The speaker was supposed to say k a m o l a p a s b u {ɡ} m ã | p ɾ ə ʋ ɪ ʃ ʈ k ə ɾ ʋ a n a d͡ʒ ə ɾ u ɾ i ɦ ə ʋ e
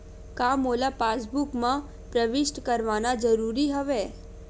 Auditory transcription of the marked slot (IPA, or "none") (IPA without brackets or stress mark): k